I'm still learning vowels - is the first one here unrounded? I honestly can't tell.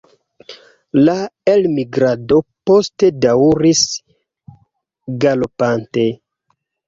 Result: yes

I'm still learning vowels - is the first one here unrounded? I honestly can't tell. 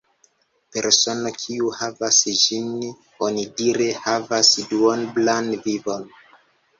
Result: yes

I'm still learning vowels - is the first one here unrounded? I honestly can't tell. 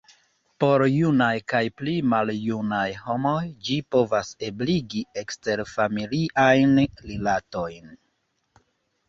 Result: no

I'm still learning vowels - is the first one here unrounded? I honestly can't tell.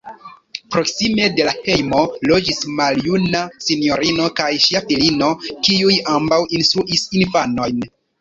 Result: no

